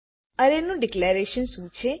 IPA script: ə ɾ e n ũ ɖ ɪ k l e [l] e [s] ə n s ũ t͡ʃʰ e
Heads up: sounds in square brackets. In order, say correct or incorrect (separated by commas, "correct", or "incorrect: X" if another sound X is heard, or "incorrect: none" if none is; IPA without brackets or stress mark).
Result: incorrect: ɾ, incorrect: ʃ